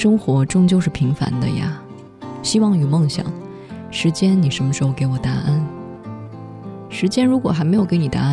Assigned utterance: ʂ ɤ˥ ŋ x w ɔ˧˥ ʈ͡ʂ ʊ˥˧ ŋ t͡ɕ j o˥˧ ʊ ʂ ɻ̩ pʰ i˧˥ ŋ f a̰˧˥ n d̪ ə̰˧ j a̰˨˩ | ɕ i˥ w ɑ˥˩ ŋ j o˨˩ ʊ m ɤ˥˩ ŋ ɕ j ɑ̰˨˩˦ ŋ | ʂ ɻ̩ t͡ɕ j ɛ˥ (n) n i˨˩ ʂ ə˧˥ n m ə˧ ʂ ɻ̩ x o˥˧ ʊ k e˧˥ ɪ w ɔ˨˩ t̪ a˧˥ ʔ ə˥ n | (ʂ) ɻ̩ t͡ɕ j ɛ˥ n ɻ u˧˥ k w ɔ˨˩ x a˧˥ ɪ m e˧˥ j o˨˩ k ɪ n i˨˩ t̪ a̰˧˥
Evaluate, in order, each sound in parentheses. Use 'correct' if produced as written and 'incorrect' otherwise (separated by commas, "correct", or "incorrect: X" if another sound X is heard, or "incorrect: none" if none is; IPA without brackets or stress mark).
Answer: correct, correct